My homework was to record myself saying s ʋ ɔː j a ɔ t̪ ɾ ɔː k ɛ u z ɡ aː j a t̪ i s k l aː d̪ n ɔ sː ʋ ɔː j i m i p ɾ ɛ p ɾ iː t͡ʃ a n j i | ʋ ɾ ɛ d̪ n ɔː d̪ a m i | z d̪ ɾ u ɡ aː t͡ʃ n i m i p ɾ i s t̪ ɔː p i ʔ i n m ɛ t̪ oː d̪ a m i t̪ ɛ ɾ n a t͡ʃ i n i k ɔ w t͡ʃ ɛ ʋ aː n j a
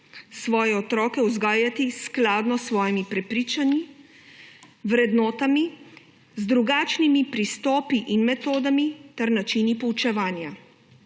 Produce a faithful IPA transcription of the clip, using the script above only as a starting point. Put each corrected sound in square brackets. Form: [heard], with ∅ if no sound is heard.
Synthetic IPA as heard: s ʋ ɔː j [ɛ] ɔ t̪ ɾ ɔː k ɛ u z ɡ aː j a t̪ i s k l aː d̪ n ɔ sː ʋ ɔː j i m i p ɾ ɛ p ɾ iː t͡ʃ a n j i | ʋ ɾ ɛ d̪ n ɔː [t̪] a m i | z d̪ ɾ u ɡ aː t͡ʃ n i m i p ɾ i s t̪ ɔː p i ʔ i n m ɛ t̪ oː d̪ a m i t̪ ɛ ɾ n a t͡ʃ i n i [p] ɔ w t͡ʃ ɛ ʋ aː n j a